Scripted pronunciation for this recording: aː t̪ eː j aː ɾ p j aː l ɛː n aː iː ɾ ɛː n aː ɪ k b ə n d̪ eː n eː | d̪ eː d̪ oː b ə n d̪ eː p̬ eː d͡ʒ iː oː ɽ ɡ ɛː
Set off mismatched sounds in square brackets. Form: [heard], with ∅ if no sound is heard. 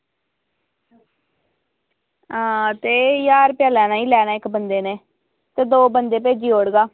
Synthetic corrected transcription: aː t̪ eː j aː ɾ p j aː l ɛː n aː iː [l] ɛː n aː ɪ k b ə n d̪ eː n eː | [t̪] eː d̪ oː b ə n d̪ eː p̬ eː d͡ʒ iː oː ɽ ɡ [aː]